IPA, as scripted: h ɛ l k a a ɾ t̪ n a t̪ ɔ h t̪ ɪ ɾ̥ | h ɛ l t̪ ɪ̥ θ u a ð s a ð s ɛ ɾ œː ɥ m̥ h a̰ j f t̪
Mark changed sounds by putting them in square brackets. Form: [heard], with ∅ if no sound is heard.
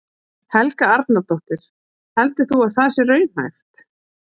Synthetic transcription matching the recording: h ɛ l k a a ɾ t̪ n a t̪ ɔ h t̪ ɪ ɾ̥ | h ɛ l t̪ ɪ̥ θ u a ð [θ] a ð s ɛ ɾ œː ɥ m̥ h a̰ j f t̪